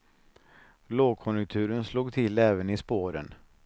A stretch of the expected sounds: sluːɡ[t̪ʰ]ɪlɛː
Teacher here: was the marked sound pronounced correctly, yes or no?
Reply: yes